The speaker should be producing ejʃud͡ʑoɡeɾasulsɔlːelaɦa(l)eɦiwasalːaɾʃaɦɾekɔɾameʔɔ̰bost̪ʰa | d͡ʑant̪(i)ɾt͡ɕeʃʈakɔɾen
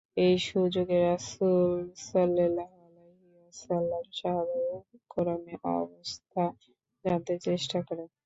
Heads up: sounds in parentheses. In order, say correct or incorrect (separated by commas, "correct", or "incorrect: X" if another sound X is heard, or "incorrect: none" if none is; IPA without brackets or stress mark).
correct, incorrect: e